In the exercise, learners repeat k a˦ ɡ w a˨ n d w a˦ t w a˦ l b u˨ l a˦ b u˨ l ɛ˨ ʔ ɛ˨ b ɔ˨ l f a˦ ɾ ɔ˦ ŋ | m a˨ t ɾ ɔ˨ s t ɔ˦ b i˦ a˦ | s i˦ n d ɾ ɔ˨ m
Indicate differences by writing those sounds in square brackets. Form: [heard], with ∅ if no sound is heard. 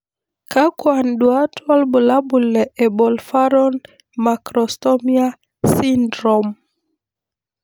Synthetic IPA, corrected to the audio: k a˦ [k] w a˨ n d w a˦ t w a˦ l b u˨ l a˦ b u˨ l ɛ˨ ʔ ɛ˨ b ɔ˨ l f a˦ ɾ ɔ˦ [n] | m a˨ [k] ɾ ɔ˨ s t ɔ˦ [m] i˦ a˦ | s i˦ n d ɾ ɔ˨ m